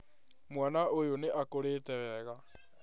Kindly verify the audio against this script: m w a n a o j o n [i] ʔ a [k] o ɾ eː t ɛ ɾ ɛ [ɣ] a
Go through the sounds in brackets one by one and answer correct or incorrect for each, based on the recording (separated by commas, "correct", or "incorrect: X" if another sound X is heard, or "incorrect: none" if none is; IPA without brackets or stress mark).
incorrect: e, correct, correct